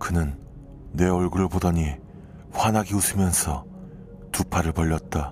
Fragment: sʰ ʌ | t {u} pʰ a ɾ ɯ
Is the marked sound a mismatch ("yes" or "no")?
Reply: no